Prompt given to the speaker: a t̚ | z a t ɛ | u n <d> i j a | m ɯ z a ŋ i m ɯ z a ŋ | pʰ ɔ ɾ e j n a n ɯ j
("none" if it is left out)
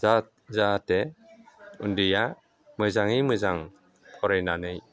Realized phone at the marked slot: d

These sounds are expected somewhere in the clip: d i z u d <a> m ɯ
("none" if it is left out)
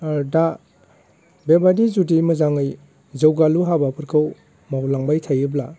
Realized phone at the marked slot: i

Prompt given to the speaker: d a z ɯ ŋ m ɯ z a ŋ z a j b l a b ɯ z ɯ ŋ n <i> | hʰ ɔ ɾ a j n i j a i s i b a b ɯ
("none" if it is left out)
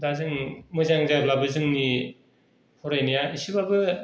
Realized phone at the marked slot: i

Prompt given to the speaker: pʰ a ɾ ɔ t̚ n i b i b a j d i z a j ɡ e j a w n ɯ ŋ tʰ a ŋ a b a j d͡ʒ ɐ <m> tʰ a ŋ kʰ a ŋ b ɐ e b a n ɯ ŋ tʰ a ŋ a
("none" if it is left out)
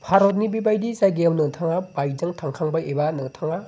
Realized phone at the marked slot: ŋ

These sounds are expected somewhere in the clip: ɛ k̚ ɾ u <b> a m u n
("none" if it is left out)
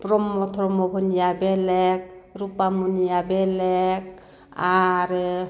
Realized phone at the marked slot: p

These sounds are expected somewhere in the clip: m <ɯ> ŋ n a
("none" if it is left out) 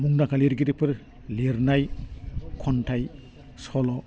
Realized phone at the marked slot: u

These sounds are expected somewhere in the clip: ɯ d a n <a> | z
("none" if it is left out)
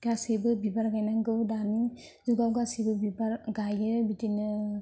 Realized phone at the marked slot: i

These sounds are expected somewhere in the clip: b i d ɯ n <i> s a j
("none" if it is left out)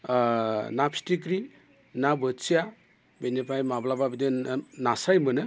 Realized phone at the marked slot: a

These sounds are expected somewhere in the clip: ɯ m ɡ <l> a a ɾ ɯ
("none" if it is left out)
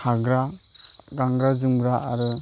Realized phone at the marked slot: ɾ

